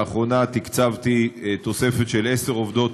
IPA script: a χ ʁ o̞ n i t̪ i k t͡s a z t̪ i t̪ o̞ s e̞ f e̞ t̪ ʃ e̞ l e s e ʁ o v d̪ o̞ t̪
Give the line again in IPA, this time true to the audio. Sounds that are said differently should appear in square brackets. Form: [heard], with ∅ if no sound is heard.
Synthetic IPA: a χ ʁ o̞ n [a] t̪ i k t͡s a [v] t̪ i t̪ o̞ s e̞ f e̞ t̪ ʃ e̞ l e s e ʁ o v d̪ o̞ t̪

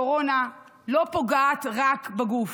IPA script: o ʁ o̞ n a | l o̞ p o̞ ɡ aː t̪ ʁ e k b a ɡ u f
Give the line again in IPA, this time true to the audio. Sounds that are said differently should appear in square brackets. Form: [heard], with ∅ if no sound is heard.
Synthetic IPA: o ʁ o̞ n a | l o̞ p o̞ ɡ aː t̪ ʁ [a] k b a ɡ u f

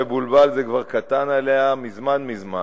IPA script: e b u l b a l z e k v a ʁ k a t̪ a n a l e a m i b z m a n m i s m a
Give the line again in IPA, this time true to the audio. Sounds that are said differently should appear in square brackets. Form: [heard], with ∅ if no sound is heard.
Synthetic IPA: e b u l b a l z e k v a ʁ k a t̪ a n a l e a m i [∅] z m a n m i [z] m a

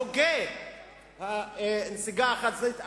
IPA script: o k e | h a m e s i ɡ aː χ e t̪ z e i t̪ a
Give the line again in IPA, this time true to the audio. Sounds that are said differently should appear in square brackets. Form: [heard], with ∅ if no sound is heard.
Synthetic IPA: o [ɡ] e | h a [n] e s i ɡ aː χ [a] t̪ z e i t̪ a

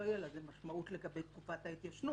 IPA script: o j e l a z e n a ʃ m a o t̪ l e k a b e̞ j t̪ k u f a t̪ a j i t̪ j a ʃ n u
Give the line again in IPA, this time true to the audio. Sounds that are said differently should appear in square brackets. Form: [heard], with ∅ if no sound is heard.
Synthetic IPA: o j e l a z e [m] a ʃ m a [u] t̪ l e [ɡ] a b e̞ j t̪ k u f a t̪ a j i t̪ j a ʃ n u

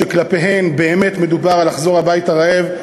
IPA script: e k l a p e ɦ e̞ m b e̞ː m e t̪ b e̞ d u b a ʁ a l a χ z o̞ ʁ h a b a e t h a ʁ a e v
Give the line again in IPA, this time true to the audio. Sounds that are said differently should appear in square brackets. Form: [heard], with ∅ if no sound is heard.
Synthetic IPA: e k l a p e ɦ e̞ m b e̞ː m e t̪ [m] e̞ d u b a ʁ a l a χ z o̞ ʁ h a b a [i] t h a ʁ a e v

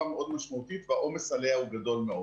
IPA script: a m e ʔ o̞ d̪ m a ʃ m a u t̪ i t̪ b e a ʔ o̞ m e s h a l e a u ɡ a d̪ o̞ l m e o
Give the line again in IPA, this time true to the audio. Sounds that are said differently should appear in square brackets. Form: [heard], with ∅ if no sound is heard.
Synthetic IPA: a m e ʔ o̞ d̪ m a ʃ m a u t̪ i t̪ [v] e a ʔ o̞ m e s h a l e a u ɡ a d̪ o̞ l m e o

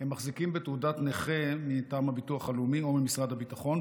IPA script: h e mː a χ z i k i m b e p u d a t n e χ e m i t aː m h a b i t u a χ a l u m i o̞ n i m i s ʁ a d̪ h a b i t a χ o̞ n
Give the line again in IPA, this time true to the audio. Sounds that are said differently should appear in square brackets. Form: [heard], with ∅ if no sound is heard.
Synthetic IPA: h e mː a χ z i k i m b e [t] u d a t n e χ e m i t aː m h a b i t u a χ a l u m i o̞ [m] i m i s ʁ a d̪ h a b i t a χ o̞ n

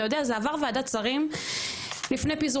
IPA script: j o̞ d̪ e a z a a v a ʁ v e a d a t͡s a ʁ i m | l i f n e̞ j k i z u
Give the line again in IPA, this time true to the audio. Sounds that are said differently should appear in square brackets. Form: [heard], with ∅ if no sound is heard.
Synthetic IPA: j o̞ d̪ e a z [e] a v a ʁ v e a d a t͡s a ʁ i m | l i f n e̞ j [p] i z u

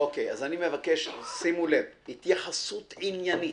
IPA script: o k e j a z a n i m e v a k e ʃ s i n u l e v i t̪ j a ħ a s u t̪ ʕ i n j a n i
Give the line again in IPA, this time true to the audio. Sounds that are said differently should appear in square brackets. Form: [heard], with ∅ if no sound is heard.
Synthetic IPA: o k e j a z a n i m e v a k e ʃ s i [m] u l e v i t̪ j a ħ a s u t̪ ʕ i n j a n i

